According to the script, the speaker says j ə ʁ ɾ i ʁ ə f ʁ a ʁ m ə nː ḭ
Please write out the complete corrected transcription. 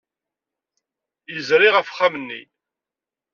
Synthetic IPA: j ə z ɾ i ʁ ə f χ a m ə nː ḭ